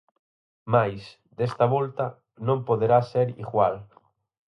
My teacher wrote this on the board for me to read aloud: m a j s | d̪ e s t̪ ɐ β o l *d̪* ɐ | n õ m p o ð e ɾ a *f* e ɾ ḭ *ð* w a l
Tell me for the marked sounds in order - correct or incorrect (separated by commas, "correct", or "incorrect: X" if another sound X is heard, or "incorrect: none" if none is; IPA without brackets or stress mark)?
incorrect: t̪, incorrect: s, incorrect: ɣ